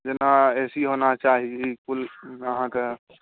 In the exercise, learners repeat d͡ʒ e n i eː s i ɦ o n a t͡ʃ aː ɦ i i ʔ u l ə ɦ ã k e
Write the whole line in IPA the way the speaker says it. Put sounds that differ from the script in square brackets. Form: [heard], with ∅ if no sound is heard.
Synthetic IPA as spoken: d͡ʒ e n [a] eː s i ɦ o n a t͡ʃ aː ɦ i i [k] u l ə ɦ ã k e